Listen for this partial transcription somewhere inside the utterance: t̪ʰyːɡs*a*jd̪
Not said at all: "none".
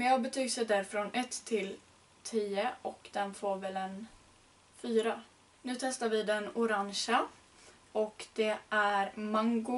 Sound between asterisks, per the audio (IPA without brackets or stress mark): ɛ